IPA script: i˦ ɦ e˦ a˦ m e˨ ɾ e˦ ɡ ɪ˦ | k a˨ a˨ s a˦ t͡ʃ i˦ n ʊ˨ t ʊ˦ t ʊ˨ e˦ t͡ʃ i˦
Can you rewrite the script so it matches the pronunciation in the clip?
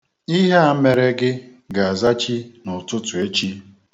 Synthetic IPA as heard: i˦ ɦ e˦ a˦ m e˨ ɾ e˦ ɡ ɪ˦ | ɡ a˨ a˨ z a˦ t͡ʃ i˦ n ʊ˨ t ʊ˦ t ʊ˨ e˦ t͡ʃ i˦